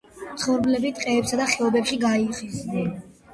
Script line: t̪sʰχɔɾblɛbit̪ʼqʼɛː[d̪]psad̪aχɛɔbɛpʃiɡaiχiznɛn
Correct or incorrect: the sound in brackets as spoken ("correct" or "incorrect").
incorrect